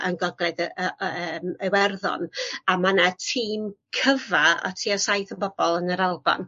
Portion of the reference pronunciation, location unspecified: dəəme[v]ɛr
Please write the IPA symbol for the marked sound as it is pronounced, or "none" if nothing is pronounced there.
w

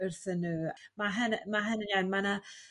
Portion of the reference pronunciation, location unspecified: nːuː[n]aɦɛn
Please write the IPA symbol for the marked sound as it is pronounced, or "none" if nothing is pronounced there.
m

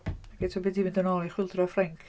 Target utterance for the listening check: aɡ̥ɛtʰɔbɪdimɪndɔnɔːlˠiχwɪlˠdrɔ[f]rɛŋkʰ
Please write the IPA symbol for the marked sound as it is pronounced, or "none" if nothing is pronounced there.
f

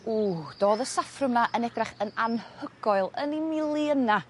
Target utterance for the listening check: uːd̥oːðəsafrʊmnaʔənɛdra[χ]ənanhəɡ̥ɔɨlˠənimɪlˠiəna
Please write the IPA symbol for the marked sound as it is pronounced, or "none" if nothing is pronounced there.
χ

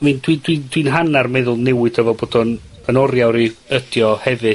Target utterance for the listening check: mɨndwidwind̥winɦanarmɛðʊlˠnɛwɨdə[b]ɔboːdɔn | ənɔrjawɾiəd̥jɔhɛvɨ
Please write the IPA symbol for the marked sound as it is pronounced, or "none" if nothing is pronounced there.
v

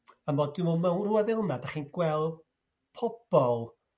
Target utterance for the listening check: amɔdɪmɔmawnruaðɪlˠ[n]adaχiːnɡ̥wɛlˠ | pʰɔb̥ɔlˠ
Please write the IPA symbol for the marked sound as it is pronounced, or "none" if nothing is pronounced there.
n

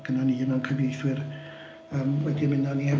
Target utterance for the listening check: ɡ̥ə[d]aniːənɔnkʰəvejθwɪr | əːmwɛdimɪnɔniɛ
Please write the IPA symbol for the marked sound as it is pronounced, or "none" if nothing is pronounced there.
n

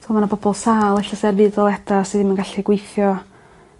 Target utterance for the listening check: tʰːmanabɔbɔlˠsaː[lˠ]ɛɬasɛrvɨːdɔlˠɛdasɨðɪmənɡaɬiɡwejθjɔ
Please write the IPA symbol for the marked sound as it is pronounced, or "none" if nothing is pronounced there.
lˠ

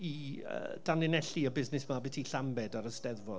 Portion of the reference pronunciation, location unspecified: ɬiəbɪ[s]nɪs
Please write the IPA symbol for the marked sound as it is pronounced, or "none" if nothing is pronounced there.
z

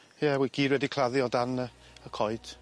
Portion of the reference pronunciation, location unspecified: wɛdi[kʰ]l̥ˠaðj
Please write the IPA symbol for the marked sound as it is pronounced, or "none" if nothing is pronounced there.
kʰ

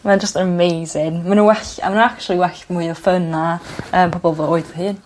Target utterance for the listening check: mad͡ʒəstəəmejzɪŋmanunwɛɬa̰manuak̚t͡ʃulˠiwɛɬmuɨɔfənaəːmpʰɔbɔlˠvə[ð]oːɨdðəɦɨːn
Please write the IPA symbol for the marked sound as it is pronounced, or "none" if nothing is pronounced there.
none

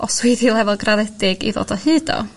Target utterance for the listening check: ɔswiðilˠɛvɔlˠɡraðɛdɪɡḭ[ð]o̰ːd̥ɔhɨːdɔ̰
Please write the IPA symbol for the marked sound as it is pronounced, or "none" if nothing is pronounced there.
ð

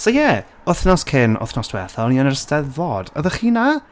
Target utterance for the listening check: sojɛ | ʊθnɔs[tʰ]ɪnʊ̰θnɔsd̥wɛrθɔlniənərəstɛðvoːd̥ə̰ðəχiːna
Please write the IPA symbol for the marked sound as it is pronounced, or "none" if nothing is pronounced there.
kʰ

